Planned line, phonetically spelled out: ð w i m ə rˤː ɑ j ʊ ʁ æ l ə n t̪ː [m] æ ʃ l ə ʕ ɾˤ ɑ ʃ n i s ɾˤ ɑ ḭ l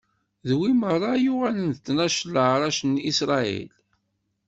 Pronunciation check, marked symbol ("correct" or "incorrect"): incorrect